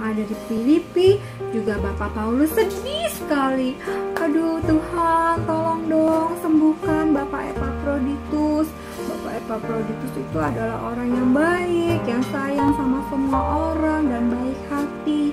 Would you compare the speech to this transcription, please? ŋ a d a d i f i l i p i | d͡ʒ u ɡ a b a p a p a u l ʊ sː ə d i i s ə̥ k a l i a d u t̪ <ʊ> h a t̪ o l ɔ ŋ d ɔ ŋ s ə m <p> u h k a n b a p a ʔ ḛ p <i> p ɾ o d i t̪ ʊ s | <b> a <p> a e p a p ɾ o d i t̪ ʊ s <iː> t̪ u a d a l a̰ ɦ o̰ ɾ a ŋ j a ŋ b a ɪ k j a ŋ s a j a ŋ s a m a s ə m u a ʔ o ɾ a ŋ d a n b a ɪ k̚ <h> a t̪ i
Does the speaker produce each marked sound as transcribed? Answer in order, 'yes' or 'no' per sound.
no, no, no, yes, yes, no, yes

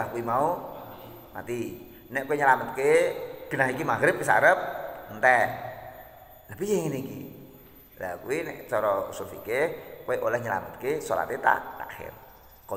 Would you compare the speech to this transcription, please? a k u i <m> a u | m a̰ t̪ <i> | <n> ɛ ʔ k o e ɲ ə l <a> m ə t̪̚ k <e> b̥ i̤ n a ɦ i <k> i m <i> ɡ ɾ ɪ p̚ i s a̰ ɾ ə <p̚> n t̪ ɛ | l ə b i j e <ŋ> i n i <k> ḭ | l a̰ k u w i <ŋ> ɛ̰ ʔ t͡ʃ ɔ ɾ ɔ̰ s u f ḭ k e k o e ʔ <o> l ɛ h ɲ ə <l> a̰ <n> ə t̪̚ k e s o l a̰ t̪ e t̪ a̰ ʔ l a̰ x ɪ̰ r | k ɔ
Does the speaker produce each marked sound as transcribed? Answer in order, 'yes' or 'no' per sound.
yes, yes, yes, yes, yes, yes, no, yes, yes, yes, no, yes, yes, no

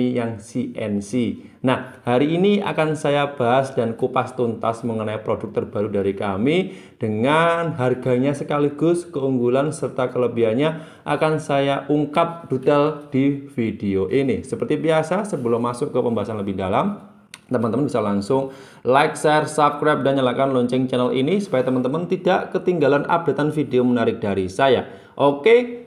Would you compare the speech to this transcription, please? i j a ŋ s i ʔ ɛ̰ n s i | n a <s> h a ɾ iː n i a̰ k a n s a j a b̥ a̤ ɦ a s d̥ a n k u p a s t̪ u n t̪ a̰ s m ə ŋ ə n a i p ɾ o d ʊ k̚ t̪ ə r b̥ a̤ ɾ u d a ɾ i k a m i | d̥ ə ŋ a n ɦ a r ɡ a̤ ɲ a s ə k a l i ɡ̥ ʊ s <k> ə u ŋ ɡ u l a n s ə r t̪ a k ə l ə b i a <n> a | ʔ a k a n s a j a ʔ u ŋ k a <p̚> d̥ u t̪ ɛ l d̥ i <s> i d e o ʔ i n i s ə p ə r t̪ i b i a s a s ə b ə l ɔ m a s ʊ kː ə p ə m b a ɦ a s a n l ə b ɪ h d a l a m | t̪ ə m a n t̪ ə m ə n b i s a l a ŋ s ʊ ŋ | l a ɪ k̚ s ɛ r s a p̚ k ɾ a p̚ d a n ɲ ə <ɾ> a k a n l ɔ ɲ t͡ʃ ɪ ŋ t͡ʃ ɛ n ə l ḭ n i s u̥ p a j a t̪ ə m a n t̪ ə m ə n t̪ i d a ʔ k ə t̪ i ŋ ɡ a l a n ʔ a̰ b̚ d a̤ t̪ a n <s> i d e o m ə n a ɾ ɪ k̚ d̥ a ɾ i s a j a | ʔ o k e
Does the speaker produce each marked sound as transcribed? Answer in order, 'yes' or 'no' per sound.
no, yes, no, yes, no, no, no

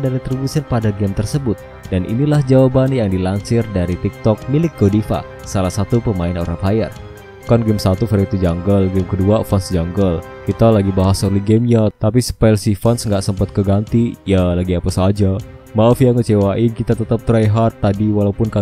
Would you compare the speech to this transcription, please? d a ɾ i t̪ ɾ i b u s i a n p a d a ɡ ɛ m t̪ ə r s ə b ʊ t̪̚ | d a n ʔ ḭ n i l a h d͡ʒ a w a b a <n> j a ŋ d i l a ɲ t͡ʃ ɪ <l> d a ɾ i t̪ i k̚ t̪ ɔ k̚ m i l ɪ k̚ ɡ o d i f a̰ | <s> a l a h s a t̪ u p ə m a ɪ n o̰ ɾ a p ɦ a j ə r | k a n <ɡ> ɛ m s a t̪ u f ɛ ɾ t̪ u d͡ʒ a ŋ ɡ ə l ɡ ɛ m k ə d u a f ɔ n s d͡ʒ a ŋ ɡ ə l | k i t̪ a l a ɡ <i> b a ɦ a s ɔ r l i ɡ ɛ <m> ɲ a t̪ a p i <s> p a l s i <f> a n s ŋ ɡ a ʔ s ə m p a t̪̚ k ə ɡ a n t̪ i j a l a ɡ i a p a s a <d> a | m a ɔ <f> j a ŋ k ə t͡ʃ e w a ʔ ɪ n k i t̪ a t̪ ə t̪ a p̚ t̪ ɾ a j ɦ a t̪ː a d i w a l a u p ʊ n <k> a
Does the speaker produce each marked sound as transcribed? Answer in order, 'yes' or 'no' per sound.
yes, no, yes, yes, yes, yes, yes, yes, no, yes, yes

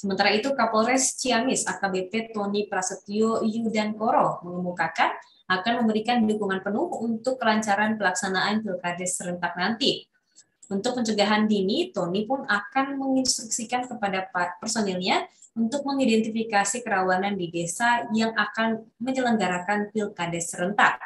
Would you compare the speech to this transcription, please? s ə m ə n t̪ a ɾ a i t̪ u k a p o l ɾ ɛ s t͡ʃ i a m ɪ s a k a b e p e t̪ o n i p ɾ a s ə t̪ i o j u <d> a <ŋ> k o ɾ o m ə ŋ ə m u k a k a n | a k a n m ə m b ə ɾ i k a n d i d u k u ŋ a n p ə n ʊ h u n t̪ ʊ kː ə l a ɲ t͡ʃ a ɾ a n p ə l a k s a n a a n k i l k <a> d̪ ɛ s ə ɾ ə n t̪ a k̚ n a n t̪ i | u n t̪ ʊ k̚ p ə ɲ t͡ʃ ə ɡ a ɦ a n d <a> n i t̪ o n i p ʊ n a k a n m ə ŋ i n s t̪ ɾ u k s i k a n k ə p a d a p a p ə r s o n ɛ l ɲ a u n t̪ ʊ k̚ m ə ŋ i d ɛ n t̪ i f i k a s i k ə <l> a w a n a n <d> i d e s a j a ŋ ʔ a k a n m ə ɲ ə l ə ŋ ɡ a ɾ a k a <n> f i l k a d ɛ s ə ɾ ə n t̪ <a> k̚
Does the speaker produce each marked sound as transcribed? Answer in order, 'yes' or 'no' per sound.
yes, no, yes, no, no, yes, yes, yes

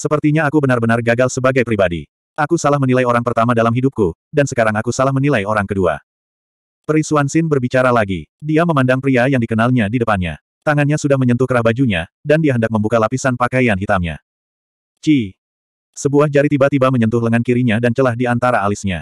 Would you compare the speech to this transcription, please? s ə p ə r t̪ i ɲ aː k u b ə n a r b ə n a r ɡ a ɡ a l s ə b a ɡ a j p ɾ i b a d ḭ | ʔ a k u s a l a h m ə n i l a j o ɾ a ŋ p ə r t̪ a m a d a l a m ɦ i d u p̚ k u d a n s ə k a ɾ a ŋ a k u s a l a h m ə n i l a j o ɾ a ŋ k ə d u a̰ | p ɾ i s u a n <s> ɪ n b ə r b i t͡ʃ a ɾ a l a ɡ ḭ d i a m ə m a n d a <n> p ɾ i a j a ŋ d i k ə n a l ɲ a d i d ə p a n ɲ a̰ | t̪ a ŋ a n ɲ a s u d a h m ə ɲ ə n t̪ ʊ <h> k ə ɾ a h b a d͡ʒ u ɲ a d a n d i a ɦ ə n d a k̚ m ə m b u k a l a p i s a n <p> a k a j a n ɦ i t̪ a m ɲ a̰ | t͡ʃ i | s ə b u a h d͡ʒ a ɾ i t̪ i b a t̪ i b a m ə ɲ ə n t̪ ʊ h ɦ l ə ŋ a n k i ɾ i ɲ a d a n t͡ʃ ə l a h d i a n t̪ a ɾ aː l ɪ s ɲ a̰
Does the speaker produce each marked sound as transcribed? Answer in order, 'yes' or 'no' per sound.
yes, no, yes, yes

